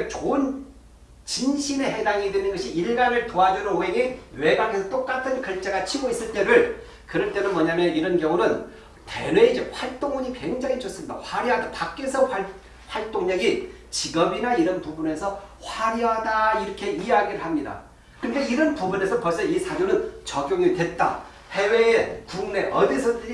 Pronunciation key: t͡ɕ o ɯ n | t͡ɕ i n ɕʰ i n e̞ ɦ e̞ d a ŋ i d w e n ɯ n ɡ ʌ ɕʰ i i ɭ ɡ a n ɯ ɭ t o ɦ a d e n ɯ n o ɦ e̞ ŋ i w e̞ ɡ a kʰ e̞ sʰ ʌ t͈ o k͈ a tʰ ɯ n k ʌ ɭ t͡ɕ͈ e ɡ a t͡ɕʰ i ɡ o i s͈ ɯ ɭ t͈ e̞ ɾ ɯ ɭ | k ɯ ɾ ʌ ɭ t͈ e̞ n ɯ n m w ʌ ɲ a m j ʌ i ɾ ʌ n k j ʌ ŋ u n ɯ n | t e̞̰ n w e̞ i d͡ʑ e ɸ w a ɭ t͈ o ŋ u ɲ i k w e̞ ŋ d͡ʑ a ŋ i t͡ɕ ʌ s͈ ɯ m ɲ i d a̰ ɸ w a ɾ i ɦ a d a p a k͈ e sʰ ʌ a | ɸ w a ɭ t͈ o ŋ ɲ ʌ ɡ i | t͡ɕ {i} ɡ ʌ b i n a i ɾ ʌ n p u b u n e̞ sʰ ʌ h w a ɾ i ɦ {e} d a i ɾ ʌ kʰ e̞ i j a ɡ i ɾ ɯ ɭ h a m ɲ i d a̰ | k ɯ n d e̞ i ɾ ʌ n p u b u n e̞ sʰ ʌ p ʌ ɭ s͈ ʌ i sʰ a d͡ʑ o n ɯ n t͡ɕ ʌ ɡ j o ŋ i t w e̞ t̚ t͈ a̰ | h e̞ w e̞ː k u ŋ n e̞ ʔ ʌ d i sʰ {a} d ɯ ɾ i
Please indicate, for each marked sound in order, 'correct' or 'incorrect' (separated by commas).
correct, incorrect, incorrect